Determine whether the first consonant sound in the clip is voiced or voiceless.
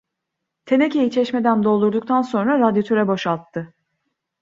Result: voiceless